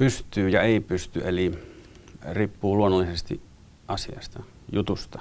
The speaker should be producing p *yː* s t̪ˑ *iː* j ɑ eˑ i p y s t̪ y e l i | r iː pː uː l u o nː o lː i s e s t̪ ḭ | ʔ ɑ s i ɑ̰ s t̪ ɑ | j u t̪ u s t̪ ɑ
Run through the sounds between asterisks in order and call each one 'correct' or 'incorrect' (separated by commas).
incorrect, incorrect